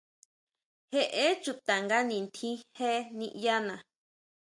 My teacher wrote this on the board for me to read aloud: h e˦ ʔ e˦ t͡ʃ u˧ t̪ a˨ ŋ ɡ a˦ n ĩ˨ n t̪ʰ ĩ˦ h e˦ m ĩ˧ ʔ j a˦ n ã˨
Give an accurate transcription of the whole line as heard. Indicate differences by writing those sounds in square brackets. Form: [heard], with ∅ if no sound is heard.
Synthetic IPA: h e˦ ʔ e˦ t͡ʃ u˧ t̪ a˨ ŋ ɡ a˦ n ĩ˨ n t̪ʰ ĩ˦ h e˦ [n] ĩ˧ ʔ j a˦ n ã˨